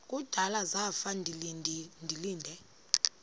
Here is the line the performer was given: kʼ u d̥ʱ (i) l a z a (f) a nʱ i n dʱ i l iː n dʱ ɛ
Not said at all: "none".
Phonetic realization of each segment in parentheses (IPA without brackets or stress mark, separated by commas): a, f